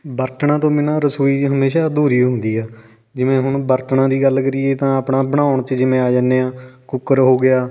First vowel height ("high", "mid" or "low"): mid